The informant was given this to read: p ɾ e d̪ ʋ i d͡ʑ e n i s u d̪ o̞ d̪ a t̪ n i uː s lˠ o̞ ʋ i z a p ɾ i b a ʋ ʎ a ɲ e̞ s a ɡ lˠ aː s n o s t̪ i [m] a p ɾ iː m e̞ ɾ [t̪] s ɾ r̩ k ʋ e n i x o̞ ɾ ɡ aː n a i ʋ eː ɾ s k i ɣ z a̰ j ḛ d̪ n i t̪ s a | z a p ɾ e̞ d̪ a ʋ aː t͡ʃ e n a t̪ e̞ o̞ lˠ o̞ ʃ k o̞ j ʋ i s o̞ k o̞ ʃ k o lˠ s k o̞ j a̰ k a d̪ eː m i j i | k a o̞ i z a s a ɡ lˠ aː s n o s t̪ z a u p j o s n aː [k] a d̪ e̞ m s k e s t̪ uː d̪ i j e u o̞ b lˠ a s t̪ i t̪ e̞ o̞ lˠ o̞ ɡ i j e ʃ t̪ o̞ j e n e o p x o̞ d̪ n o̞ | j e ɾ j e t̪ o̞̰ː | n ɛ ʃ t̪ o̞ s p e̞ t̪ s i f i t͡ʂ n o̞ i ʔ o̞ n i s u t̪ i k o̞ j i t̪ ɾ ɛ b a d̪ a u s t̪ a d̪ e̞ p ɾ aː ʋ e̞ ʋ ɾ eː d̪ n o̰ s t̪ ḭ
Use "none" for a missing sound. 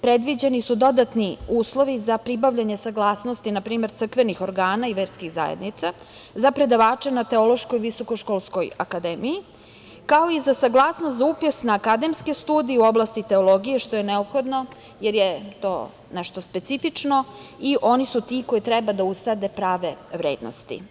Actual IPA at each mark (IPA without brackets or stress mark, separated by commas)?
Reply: n, t̪, k